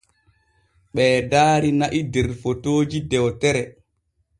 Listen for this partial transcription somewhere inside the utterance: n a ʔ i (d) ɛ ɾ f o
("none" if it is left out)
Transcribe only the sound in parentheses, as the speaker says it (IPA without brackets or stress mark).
d